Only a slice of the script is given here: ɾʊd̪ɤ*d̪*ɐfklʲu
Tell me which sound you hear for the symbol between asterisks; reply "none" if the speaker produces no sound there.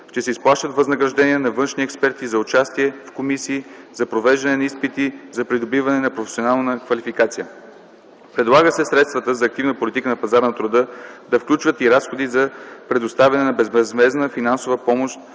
d̪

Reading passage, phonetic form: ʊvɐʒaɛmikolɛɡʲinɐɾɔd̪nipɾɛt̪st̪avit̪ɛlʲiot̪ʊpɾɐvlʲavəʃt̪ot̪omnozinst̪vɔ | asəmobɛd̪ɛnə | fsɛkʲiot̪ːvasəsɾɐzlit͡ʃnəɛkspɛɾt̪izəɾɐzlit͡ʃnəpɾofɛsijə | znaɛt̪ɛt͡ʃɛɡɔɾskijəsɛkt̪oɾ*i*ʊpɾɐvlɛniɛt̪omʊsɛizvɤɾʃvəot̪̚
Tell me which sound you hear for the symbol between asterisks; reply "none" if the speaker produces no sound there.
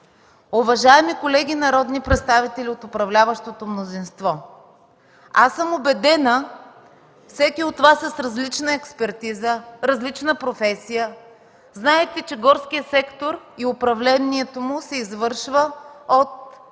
i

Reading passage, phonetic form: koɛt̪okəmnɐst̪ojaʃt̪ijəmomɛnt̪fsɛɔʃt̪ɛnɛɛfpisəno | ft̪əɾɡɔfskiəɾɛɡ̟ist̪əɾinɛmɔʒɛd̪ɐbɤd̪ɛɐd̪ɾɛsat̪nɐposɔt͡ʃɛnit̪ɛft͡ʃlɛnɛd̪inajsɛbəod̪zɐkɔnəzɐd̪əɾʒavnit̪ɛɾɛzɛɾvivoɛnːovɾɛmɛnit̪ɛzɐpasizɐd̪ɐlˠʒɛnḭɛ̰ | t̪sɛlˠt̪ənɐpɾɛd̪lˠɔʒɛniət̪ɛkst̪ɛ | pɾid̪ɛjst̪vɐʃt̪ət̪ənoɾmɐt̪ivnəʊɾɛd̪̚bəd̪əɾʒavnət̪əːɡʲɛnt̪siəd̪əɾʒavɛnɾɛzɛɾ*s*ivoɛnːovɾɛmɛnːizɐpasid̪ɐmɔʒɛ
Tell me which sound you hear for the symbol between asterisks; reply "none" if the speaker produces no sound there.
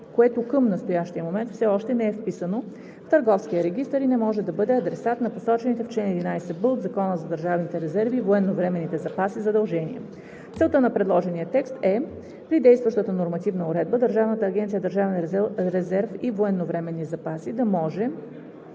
f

